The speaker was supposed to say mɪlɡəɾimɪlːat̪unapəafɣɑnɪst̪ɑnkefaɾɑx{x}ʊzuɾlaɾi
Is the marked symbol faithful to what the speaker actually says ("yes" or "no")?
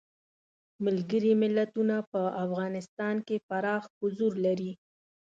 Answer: no